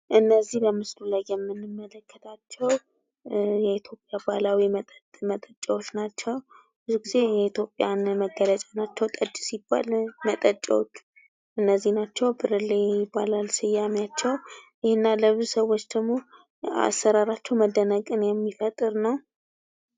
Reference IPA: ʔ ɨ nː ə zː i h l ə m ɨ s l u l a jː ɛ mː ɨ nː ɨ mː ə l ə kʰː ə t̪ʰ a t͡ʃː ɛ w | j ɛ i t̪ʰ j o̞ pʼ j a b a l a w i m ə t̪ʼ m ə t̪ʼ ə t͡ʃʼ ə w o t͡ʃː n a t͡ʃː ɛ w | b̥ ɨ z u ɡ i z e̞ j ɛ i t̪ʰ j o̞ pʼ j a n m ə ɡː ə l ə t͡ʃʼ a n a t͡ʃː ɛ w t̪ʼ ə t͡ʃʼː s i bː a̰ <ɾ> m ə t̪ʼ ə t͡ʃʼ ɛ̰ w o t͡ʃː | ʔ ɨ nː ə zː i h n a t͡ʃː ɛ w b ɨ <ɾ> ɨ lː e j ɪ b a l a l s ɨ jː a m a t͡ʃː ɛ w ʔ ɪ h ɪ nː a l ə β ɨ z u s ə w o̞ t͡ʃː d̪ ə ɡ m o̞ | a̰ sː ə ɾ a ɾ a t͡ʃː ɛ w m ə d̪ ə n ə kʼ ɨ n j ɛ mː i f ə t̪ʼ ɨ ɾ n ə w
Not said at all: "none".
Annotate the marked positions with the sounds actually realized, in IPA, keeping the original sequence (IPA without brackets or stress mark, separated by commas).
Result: l, ɾ